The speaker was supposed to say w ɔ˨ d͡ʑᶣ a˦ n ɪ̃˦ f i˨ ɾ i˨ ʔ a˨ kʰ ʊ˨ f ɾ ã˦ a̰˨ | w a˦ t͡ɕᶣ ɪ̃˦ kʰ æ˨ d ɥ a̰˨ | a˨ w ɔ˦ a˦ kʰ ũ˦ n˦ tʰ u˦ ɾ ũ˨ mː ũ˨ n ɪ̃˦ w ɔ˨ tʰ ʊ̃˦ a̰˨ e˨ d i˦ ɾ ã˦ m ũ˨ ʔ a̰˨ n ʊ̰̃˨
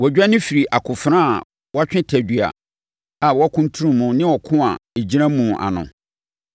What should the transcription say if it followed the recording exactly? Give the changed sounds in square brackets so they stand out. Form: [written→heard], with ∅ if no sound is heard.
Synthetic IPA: w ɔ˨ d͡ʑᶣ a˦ n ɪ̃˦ f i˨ ɾ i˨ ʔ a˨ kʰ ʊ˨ f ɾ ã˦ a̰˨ | w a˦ t͡ɕᶣ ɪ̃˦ [kʰ→tʰ] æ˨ d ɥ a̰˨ | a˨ w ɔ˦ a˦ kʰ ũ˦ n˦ tʰ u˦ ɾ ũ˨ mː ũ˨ n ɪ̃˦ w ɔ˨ [tʰ→kʰ] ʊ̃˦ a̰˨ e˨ [d→d͡ʑ] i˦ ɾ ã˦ m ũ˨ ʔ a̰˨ n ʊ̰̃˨